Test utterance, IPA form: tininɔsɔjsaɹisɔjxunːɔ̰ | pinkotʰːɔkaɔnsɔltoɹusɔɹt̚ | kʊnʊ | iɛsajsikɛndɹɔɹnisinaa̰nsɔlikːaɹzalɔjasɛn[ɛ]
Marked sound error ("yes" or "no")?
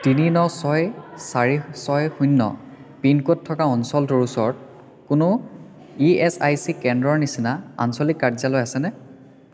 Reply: no